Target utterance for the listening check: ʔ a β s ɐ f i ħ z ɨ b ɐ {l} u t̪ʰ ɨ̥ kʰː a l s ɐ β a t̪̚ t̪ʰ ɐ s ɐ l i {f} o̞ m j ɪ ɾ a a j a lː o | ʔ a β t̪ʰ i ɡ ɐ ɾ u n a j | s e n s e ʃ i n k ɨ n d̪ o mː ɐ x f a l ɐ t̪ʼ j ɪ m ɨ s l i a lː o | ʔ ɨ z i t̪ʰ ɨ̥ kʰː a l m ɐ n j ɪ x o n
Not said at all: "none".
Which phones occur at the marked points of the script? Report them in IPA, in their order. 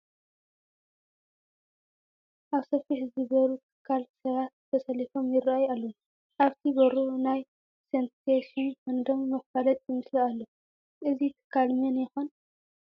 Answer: ɾ, f

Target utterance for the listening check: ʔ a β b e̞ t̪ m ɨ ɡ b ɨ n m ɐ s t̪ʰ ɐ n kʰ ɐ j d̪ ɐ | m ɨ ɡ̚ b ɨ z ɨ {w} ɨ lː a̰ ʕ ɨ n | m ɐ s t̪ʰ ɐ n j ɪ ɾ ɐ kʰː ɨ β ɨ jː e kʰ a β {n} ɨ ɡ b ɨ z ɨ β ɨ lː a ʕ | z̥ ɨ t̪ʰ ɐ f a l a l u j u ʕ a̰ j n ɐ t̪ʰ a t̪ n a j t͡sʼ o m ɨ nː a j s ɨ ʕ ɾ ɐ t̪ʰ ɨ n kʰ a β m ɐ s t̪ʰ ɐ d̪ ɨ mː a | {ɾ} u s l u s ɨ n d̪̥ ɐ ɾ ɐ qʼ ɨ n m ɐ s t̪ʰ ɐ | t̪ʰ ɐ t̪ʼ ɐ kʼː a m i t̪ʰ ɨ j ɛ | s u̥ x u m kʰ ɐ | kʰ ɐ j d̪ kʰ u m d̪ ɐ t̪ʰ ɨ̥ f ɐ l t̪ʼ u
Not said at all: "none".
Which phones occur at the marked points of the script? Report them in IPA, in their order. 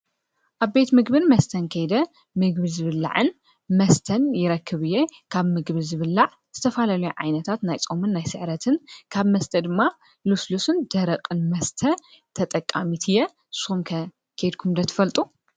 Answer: β, m, l

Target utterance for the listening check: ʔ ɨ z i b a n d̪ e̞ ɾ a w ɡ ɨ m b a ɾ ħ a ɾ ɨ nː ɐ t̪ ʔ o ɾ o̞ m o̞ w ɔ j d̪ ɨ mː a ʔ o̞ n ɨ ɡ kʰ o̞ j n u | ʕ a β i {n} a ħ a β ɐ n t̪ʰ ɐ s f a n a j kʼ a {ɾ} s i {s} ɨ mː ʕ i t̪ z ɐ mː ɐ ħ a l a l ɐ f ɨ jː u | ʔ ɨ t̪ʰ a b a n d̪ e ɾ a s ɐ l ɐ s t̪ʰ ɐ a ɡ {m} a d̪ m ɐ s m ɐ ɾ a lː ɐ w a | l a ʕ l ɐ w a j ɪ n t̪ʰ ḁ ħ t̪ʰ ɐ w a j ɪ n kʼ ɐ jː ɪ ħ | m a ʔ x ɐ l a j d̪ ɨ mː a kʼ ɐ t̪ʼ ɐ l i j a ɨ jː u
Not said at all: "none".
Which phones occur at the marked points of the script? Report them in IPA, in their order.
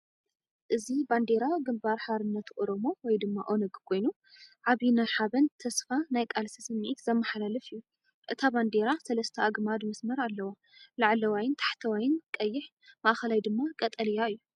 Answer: n, l, s, m

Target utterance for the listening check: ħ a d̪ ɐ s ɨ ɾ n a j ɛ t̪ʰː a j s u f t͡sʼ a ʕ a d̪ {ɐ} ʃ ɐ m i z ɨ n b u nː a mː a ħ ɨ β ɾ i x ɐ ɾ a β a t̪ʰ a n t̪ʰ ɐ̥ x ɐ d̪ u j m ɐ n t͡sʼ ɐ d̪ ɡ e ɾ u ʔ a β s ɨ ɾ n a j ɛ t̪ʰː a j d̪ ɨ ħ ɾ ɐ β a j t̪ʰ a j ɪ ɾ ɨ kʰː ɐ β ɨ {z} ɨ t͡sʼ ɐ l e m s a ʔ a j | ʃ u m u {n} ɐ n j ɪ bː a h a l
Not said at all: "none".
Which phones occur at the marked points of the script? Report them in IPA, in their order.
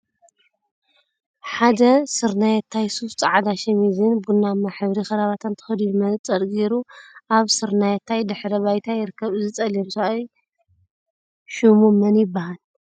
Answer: a, z, m

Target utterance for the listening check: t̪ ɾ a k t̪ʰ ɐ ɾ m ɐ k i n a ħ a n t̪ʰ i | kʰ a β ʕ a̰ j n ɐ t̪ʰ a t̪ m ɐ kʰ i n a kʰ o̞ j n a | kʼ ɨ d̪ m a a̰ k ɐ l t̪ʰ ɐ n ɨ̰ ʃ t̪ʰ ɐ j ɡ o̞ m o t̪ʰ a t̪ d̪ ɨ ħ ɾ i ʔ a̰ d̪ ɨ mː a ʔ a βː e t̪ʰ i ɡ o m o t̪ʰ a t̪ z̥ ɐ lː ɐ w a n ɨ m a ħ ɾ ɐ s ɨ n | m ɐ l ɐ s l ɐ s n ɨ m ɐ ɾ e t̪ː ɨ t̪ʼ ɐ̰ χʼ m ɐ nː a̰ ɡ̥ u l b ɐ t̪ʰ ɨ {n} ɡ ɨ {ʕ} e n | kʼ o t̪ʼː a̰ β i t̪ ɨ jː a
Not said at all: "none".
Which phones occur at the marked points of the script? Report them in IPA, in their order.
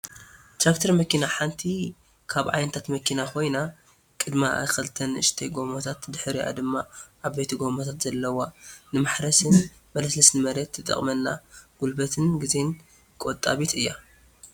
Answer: n, z

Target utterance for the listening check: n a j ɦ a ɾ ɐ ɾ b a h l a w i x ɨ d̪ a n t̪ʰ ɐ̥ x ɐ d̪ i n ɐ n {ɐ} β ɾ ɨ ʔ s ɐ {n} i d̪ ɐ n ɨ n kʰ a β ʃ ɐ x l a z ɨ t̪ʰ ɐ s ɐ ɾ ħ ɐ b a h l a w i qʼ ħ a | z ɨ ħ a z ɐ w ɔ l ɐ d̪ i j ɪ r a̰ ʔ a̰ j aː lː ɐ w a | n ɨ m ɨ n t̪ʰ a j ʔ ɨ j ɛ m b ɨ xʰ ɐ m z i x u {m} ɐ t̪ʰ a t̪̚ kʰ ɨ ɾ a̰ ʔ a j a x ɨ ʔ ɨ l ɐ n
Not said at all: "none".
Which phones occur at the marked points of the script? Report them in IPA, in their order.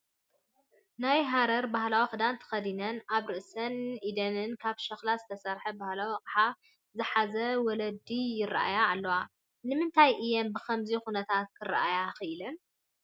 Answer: a, n, n

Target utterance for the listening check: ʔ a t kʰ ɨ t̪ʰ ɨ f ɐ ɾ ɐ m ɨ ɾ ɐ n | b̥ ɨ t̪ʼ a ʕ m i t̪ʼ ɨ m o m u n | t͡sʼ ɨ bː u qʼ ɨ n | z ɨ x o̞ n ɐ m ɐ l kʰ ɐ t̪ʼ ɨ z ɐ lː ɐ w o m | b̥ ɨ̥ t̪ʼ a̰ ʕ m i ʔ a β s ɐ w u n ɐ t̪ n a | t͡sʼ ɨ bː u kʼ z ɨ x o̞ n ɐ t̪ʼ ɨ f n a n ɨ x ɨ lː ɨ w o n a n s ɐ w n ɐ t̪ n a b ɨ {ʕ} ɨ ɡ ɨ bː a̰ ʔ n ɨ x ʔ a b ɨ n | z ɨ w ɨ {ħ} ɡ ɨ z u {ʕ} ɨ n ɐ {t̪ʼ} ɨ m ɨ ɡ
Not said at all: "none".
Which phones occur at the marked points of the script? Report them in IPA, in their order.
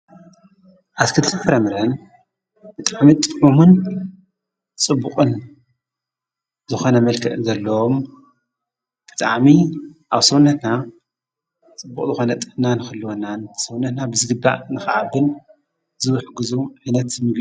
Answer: z, ħ, ʕ, t̪

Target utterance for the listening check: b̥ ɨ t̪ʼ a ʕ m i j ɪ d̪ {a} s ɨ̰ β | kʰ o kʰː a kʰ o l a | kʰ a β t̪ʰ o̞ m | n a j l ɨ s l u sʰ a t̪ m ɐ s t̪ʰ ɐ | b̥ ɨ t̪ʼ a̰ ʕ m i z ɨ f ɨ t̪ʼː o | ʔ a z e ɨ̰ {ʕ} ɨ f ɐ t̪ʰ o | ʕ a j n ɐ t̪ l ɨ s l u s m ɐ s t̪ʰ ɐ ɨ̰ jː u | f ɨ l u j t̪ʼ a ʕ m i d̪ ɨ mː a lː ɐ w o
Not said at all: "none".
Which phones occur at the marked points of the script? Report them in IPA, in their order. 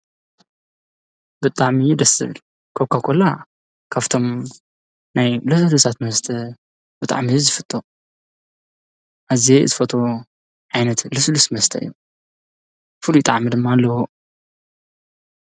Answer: ɐ, z

